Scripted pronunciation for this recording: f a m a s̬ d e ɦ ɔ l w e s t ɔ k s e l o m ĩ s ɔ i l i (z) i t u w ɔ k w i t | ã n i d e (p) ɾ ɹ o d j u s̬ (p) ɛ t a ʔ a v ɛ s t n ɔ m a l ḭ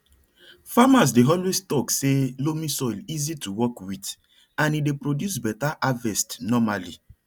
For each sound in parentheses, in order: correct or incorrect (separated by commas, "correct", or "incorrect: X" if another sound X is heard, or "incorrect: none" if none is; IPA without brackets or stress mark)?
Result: correct, correct, incorrect: b